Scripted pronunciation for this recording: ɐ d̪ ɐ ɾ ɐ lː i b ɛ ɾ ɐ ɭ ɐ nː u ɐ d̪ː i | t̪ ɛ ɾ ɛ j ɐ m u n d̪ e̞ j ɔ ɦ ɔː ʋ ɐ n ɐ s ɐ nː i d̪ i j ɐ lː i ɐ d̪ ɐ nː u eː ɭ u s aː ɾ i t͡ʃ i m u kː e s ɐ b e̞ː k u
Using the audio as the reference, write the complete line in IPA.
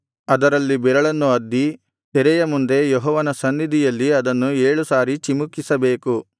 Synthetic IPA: ɐ d̪ ɐ ɾ ɐ lː i b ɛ ɾ ɐ ɭ ɐ nː u ɐ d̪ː i | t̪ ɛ ɾ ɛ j ɐ m u n d̪ e̞ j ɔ ɦ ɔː ʋ ɐ n ɐ s ɐ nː i d̪ i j ɐ lː i ɐ d̪ ɐ nː u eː ɭ u s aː ɾ i t͡ʃ i m u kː i s ɐ b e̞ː k u